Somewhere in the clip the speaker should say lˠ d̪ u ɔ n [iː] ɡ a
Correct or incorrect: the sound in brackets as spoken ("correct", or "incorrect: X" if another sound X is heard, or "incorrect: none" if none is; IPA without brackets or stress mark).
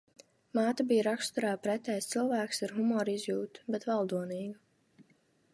correct